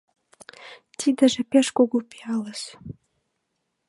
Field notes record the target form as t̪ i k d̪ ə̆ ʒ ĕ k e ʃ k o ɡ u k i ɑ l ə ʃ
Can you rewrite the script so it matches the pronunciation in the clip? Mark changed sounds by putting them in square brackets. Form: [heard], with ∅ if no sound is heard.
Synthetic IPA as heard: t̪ i [∅] d̪ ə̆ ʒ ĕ [p] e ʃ k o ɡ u [p] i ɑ l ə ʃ